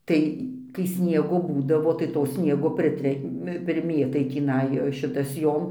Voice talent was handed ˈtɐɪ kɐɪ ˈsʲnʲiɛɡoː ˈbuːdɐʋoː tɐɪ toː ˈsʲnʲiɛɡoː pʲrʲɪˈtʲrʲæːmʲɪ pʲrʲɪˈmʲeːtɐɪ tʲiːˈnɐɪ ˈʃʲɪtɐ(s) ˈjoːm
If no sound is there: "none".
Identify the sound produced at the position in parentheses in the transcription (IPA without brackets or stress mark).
s